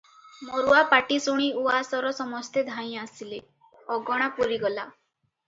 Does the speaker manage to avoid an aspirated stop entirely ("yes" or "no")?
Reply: yes